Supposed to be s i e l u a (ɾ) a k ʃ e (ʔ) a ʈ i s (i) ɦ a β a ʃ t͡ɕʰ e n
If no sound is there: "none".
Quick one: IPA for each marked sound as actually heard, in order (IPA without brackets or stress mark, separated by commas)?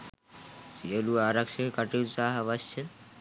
ɾ, k, a